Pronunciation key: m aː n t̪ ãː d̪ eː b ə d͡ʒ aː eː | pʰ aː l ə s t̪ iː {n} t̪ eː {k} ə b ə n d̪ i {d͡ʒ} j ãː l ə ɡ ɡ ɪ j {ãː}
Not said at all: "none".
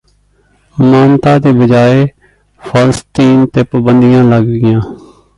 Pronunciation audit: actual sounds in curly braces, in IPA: n, p, none, ãː

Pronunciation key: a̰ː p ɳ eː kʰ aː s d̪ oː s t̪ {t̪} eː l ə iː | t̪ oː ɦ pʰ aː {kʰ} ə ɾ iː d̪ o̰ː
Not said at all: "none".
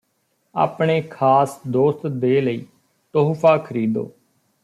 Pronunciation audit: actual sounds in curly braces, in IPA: d̪, kʰ

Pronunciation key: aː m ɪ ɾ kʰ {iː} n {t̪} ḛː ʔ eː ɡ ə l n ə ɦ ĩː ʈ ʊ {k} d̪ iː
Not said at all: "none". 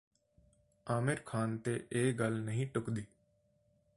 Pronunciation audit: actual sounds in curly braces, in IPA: aː, t̪, k

